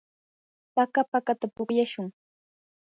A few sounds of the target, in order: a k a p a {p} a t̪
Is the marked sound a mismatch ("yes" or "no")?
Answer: yes